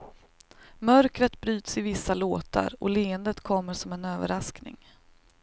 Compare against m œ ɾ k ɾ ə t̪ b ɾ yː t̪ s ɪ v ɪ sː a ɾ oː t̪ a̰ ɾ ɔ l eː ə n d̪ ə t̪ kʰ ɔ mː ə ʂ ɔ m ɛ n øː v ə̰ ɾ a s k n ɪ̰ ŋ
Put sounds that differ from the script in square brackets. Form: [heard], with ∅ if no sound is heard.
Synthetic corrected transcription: m œ ɾ k ɾ ə t̪ b ɾ yː t̪ s ɪ v ɪ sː a [l] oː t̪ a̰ ɾ ɔ l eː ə n d̪ ə t̪ kʰ ɔ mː ə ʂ ɔ m ɛ n øː v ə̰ ɾ a s k n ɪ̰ ŋ